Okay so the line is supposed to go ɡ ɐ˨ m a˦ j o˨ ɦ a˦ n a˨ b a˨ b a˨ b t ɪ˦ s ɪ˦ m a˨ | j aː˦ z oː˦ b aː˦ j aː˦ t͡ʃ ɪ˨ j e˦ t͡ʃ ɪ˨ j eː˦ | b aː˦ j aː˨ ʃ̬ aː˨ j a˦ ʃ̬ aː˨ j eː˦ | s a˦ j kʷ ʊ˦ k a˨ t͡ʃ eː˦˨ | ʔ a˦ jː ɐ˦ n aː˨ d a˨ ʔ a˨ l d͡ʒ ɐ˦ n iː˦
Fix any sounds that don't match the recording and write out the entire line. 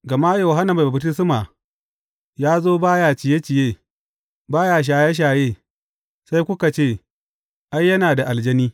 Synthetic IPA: ɡ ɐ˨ m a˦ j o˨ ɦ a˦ n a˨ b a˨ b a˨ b t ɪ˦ s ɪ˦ m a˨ | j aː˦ z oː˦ b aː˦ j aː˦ t͡ʃ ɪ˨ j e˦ t͡ʃ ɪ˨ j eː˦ | b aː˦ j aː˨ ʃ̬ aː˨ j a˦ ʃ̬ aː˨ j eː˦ | s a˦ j kʷ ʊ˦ k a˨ t͡ʃ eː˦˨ | ʔ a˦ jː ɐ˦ n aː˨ d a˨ ʔ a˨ l d͡ʒ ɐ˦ n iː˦